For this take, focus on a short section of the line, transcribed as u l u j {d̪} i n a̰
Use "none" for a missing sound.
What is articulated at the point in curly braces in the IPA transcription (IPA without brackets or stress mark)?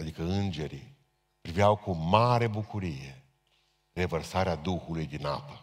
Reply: d̪